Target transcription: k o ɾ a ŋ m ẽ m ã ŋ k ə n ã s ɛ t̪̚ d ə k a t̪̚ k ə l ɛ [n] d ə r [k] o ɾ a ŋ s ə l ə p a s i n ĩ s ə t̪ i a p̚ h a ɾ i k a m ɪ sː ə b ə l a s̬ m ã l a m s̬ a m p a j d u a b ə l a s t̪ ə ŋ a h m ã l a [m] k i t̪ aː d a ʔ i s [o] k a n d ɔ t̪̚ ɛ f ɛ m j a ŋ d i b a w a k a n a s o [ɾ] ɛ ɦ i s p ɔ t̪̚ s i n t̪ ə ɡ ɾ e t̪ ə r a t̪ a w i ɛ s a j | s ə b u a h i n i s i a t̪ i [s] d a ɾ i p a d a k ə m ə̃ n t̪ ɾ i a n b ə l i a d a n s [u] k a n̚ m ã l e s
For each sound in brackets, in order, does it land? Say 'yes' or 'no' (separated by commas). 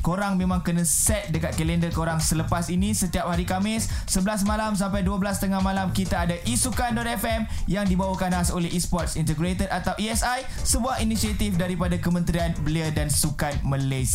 yes, yes, yes, no, no, no, yes